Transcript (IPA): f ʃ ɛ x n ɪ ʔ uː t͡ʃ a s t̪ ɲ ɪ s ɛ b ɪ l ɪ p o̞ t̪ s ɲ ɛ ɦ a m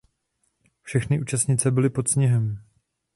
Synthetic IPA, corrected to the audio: f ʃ ɛ x n ɪ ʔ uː t͡ʃ a s t̪ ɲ ɪ t͡s ɛ b ɪ l ɪ p o̞ t̪ s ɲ ɛ ɦ ɛ m